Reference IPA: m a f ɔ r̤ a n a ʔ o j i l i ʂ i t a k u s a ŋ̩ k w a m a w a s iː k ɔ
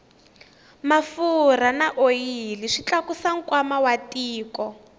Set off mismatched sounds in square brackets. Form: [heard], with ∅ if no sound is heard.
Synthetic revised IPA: m a f [u] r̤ a n a ʔ o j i l i ʂ i [t͡ɬ] a k u s a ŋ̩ k w a m a w a [t] iː k ɔ